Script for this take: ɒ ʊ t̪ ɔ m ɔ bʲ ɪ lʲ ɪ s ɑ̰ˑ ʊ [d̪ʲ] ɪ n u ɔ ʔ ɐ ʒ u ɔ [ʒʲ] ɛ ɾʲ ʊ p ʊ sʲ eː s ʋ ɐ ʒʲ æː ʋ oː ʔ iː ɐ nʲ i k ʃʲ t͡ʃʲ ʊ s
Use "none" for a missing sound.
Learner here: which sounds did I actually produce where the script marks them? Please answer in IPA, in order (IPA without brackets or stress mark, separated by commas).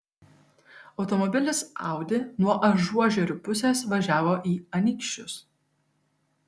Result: d̪ʲ, ʒʲ